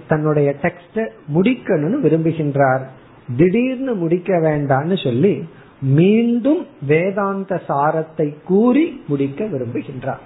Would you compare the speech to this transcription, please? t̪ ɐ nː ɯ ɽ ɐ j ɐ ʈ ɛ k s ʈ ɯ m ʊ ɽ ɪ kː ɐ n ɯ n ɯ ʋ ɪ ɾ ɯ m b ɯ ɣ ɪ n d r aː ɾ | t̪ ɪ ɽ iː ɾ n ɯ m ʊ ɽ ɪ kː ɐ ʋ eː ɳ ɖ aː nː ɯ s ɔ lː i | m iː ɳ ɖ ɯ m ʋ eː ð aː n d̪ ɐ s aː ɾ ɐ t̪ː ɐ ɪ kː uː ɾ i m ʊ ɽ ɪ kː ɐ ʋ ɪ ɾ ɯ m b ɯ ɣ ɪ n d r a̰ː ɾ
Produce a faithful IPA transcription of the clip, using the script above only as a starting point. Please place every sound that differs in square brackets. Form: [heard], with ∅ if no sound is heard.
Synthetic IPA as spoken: t̪ ɐ nː ɯ ɽ ɐ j ɐ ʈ ɛ k s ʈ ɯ m ʊ ɽ ɪ kː ɐ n ɯ n ɯ ʋ ɪ ɾ ɯ m b ɯ ɣ ɪ n d r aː ɾ | [d̪] ɪ ɽ iː ɾ n ɯ m ʊ ɽ ɪ kː ɐ ʋ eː ɳ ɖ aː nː ɯ s ɔ lː i | m iː ɳ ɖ ɯ m ʋ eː ð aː n d̪ ɐ s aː ɾ ɐ t̪ː ɐ ɪ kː uː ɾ i m ʊ ɽ ɪ kː ɐ ʋ ɪ ɾ ɯ m b ɯ ɣ ɪ n d r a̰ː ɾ